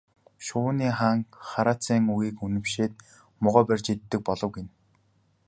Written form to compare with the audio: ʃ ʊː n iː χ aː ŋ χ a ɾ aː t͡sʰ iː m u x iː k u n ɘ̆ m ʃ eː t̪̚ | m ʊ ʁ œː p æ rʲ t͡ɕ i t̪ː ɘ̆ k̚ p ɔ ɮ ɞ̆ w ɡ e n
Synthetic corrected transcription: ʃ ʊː n iː χ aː ŋ χ a ɾ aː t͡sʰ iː ŋ u ɣ iː k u n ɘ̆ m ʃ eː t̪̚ | m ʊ ʁ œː p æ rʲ t͡ɕ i t̪ː ɘ̆ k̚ p ɔ ɮ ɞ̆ w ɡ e n